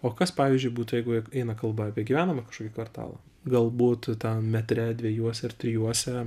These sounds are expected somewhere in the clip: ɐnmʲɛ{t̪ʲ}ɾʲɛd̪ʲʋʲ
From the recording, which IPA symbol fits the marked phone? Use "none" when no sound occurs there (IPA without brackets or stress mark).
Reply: t̪ʲ